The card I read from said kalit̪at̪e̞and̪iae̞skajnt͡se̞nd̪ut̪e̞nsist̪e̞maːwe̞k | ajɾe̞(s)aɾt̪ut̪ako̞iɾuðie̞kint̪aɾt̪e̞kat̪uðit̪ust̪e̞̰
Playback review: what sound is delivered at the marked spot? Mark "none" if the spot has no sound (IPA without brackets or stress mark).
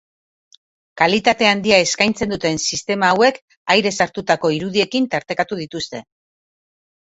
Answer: s